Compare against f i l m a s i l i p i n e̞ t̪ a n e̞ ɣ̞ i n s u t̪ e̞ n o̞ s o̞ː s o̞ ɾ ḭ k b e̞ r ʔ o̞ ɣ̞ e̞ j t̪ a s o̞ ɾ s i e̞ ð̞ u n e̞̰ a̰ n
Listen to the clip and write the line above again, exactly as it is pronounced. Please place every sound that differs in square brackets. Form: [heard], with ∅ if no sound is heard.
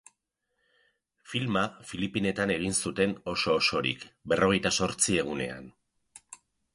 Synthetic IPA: f i l m a [f] i l i p i n e̞ t̪ a n e̞ ɣ̞ i n s u t̪ e̞ n o̞ s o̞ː s o̞ ɾ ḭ k b e̞ r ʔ o̞ ɣ̞ e̞ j t̪ a s o̞ ɾ [t͡s] i e̞ [ɣ̞] u n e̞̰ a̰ n